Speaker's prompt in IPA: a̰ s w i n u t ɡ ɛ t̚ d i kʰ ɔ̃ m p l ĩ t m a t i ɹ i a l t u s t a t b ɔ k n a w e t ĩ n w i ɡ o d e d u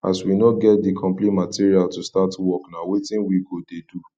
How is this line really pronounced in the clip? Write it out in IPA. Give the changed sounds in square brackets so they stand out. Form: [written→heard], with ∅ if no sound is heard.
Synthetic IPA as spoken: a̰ s w i n [u→ɔ] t ɡ ɛ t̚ d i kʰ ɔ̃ m p l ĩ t m a t i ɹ i a l t u s t a t [b→w] ɔ k n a w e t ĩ n w i ɡ o d e d u